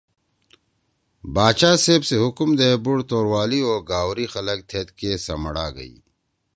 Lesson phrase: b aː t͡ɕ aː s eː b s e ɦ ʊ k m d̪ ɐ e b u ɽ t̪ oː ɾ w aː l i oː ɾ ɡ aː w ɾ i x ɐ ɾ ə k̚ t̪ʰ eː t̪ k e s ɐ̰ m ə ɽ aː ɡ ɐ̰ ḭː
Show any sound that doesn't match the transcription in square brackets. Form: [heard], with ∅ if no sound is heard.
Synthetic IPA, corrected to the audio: b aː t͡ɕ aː s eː b s e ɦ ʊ k m d̪ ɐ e b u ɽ t̪ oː ɾ w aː l i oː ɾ ɡ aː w ɾ i x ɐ [l] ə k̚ t̪ʰ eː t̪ k e s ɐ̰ m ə ɽ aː ɡ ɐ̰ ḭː